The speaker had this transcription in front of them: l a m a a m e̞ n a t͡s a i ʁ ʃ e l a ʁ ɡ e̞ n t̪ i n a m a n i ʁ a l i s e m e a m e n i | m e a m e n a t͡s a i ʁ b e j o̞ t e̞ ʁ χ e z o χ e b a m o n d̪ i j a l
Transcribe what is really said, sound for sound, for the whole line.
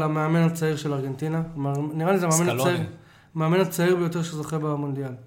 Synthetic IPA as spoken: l a m e a m e̞ n a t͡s a i ʁ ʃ e l a ʁ ɡ e̞ n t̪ i n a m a n i ʁ a l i z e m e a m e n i | m e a m e n a t͡s a i ʁ b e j o̞ t e̞ ʁ ʃ e z o χ e b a m o n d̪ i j a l